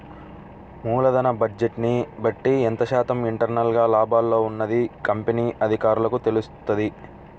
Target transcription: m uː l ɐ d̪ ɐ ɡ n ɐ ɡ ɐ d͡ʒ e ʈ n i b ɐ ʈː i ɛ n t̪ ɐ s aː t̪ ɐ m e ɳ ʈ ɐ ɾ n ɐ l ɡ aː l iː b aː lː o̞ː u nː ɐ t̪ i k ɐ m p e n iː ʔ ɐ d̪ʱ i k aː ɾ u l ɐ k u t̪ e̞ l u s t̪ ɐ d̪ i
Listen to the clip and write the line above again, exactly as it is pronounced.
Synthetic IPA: m uː l ɐ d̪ ɐ n ɐ b ɐ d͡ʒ e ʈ n i b ɐ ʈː i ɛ n t̪ ɐ ʃ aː t̪ ɐ m i ɳ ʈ ɐ ɾ n ɐ l ɡ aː l aː b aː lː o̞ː u nː ɐ d̪ i k ɐ m p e n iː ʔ ɐ d̪ʱ i k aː ɾ u l ɐ k u t̪ e̞ l u s t̪ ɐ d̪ i